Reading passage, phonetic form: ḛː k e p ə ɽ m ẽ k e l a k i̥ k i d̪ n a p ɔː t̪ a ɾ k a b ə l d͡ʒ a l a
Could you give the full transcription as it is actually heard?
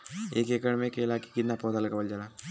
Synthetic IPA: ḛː k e k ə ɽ m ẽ k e l a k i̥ k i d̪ n a p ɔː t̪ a l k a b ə l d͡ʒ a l a